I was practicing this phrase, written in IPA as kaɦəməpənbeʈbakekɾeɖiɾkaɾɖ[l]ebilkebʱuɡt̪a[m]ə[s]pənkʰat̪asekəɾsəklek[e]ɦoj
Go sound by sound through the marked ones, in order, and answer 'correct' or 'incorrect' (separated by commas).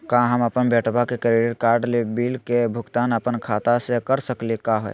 correct, incorrect, incorrect, incorrect